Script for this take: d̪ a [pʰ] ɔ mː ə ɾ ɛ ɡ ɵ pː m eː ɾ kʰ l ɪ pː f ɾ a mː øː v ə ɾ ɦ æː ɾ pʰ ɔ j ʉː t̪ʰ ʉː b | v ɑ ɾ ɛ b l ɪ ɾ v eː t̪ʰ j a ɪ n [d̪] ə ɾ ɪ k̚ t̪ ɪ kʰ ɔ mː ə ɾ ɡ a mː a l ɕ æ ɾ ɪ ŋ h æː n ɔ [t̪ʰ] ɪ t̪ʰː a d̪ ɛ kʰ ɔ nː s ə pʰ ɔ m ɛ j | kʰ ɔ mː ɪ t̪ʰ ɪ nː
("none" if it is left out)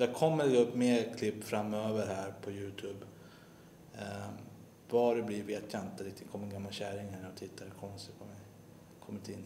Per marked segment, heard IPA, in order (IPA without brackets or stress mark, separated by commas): kʰ, t̪, t̪ʰ